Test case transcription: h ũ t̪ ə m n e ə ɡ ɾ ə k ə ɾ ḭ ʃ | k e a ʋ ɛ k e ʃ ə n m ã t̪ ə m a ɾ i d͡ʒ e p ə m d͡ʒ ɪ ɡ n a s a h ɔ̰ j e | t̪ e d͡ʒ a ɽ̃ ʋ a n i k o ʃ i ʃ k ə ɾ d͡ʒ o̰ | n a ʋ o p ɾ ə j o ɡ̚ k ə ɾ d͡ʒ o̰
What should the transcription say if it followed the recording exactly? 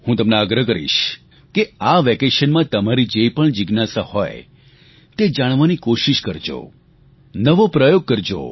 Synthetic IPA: h ũ t̪ ə m n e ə ɡ ɾ ə k ə ɾ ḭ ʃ | k e a ʋ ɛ k e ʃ ə n m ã t̪ ə m a ɾ i d͡ʒ e p ə ɳ d͡ʒ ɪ ɡ n a s a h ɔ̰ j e | t̪ e d͡ʒ a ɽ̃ ʋ a n i k o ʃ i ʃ k ə ɾ d͡ʒ o̰ | n ə ʋ o p ɾ ə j o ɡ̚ k ə ɾ d͡ʒ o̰